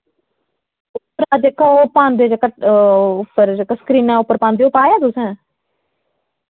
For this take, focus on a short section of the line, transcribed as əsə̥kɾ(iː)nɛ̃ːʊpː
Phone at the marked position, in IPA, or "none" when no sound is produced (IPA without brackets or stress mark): iː